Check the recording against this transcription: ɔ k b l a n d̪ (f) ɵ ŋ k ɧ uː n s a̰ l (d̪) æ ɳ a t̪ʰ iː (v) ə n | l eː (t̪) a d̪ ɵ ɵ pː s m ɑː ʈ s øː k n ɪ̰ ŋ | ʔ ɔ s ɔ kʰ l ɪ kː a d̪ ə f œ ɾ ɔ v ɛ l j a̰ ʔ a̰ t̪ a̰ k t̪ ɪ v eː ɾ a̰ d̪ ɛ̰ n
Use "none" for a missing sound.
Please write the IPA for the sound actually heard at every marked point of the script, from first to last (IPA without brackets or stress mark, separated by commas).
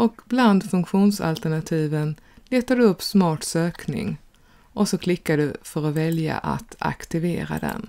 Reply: f, t̪, v, t̪